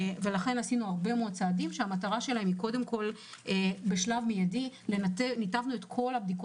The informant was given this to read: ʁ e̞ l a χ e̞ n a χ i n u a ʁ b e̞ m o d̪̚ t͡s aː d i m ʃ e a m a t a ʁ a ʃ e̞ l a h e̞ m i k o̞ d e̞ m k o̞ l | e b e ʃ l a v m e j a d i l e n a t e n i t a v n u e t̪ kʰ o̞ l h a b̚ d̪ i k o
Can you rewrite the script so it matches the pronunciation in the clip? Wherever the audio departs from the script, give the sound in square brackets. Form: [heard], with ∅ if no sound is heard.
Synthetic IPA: [v] e̞ l a χ e̞ n a [s] i n u a ʁ b e̞ m o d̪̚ t͡s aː d i m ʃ e a m a t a ʁ a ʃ e̞ l a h e̞ m i k o̞ d e̞ m k o̞ l | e b e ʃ l a v m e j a d i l e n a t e n i t a v n u e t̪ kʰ o̞ l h a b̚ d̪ i k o